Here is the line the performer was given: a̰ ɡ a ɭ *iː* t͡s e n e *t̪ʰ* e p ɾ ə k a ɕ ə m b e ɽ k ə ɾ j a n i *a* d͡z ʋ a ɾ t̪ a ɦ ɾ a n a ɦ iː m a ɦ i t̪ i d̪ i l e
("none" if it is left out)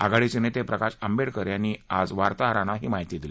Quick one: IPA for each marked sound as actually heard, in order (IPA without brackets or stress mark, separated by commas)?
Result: i, t̪, a